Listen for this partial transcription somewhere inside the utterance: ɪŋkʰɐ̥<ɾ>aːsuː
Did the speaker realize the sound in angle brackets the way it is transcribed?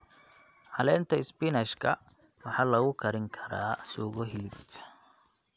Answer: yes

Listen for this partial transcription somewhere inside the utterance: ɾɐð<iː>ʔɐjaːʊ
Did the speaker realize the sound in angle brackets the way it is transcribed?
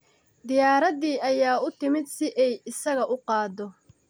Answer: yes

